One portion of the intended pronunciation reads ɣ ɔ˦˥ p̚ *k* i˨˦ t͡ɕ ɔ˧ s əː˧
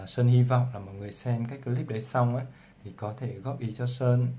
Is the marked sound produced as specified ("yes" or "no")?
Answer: no